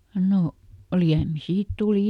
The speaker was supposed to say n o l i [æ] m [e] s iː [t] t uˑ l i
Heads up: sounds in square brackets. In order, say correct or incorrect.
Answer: correct, incorrect, correct

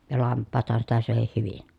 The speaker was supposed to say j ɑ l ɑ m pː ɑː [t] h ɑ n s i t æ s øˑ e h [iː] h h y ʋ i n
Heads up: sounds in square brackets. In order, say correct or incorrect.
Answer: correct, incorrect

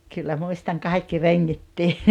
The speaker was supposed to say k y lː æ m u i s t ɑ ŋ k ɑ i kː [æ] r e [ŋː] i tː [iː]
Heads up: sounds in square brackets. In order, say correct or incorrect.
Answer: incorrect, correct, correct

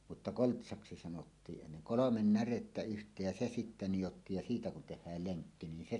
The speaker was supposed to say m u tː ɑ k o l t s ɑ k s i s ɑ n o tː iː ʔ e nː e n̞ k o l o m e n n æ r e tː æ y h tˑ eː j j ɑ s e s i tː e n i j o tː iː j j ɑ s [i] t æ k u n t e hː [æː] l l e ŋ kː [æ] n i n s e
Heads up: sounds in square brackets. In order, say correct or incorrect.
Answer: incorrect, correct, incorrect

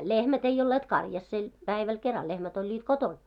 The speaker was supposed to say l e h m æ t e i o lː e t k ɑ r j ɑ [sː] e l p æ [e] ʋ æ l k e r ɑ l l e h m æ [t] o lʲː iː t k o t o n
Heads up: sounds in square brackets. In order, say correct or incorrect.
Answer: correct, incorrect, correct

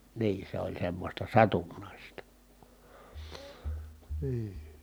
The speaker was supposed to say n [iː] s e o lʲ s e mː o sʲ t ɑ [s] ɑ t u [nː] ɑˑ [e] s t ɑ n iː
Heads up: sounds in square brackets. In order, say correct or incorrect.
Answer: correct, correct, correct, incorrect

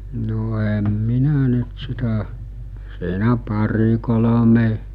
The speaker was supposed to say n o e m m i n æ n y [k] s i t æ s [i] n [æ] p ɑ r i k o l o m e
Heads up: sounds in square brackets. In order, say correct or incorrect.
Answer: incorrect, incorrect, correct

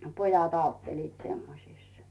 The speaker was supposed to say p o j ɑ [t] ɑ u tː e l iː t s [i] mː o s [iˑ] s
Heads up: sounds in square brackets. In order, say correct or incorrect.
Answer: correct, incorrect, correct

